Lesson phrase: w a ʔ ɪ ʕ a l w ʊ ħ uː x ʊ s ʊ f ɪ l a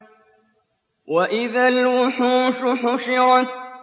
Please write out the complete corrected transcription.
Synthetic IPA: w a ʔ ɪ ð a l w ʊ ħ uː ʃ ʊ ħ ʊ ʃ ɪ ɾ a